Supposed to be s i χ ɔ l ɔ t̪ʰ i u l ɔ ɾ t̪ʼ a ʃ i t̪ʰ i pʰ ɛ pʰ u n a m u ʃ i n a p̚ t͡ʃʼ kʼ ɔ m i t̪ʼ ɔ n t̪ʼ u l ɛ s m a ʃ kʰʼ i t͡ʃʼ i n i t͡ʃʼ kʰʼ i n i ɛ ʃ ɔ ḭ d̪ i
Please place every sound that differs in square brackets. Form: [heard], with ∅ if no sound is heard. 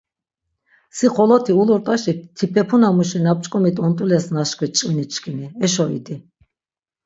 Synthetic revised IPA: s i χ ɔ l ɔ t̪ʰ i u l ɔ ɾ t̪ʼ a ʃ i t̪ʰ i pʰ ɛ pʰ u n a m u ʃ i n a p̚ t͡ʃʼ kʼ ɔ m i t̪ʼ ɔ n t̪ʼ u l ɛ s [n] a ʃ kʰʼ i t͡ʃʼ i n i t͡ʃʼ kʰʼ i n i ɛ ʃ ɔ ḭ d̪ i